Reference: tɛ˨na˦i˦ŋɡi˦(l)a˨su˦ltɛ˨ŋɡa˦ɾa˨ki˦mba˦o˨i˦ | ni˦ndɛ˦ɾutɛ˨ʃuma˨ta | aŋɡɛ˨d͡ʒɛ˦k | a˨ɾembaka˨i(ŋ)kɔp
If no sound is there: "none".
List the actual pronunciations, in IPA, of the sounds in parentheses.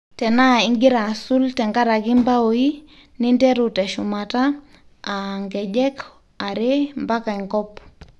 ɾ, ŋ

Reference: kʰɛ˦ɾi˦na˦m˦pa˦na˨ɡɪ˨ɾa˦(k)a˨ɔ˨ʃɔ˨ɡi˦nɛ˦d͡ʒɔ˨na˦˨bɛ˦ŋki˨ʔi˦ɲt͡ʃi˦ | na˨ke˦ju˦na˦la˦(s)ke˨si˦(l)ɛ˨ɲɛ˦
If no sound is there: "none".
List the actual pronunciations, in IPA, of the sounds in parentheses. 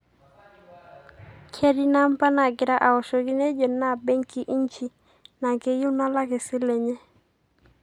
ʔ, none, l

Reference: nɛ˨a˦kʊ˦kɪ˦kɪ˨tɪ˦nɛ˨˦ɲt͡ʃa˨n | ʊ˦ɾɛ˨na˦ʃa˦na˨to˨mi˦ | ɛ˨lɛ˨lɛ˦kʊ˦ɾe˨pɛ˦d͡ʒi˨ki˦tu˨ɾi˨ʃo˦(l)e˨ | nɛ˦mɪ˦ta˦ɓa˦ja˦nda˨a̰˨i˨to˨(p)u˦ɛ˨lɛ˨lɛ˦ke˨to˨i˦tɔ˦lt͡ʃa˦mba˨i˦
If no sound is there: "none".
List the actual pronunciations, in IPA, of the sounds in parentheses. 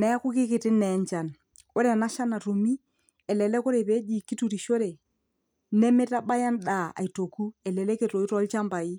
ɾ, k

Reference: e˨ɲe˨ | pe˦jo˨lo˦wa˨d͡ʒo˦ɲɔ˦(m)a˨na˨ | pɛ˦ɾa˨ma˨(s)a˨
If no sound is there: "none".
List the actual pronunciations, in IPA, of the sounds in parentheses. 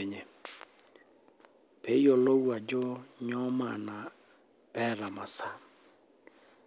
m, s

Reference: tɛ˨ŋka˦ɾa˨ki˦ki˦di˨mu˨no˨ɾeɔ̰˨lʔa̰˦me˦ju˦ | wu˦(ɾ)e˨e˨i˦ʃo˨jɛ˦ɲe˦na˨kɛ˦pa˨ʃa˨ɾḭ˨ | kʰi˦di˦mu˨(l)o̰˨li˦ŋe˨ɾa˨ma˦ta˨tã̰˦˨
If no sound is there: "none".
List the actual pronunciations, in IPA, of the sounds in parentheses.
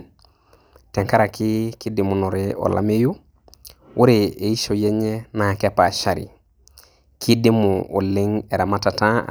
ɾ, none

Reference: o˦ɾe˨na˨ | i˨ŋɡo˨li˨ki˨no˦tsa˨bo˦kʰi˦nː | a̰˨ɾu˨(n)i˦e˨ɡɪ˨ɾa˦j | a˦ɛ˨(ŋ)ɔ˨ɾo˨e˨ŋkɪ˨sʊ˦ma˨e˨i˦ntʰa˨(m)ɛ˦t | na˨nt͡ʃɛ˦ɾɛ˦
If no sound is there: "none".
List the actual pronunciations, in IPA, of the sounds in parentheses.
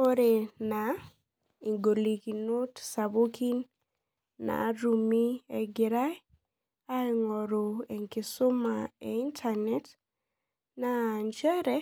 m, ŋ, n

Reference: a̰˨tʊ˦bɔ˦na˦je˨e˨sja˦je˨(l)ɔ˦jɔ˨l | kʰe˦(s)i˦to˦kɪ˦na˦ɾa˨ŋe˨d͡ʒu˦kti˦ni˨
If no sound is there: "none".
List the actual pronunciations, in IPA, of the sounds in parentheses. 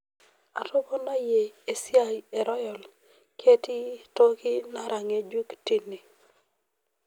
ɾ, t

